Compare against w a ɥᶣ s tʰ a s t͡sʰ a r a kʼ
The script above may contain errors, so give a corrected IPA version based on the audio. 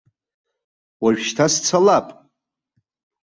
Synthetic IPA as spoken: w a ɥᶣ ʃ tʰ a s t͡sʰ a l a pʼ